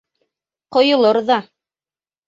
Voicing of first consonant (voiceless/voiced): voiceless